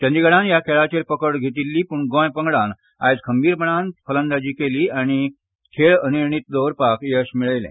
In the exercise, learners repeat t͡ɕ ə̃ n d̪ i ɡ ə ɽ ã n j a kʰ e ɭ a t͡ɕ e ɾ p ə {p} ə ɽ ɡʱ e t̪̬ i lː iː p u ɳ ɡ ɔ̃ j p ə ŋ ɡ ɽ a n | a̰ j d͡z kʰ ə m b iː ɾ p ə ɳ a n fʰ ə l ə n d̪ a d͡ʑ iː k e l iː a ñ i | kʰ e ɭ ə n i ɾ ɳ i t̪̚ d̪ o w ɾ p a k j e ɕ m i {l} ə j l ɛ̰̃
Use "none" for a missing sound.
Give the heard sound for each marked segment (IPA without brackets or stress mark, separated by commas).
k, ɭ